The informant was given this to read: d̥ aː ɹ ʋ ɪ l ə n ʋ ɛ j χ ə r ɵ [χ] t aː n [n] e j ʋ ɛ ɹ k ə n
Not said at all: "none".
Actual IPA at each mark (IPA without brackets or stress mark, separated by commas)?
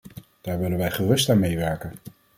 s, m